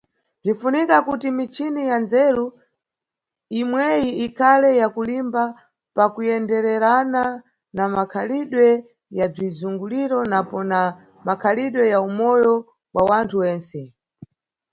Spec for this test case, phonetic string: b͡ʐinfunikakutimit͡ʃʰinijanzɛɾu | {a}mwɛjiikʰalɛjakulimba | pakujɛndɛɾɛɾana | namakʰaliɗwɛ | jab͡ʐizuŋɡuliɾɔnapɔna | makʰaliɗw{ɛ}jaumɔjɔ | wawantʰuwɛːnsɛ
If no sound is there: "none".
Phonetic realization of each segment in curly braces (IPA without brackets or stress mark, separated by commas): i, ɛ